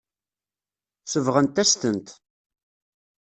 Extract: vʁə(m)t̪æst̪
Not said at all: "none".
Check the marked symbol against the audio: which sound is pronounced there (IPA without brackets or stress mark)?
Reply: n